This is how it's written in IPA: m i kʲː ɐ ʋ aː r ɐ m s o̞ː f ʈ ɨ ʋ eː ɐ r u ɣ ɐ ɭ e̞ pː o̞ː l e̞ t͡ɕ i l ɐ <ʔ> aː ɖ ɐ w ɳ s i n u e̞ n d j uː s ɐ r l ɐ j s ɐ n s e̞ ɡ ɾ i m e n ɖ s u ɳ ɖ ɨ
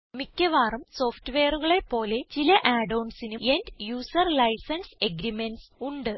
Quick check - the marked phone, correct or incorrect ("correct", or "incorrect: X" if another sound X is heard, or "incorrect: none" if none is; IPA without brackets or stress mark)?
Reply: correct